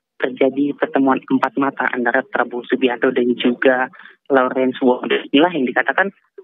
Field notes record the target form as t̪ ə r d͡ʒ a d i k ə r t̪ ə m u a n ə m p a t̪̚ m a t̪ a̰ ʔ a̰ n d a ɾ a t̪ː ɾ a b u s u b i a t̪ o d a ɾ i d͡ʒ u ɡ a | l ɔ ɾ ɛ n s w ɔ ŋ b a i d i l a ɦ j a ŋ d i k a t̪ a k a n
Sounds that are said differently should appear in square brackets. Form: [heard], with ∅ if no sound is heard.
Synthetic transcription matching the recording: t̪ ə r d͡ʒ a d i [p] ə r t̪ ə m u a n ə m p a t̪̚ m a t̪ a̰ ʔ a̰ n d a ɾ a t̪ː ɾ a b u s u b i a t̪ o d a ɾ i d͡ʒ u ɡ a | l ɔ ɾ ɛ n s w ɔ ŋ [d] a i [n] i l a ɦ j a ŋ d i k a t̪ a k a n